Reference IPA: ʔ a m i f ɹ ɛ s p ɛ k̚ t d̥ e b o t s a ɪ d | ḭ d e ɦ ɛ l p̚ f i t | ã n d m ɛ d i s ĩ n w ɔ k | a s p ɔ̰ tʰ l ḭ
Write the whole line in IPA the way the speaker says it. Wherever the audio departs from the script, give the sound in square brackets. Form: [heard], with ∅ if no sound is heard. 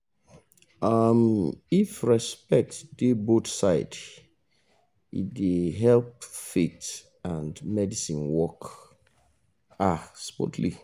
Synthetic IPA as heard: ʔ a m i f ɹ ɛ s p ɛ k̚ t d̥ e b o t s a ɪ d | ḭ d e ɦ ɛ l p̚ f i t | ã n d m ɛ d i s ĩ n w ɔ k | a s p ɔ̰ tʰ l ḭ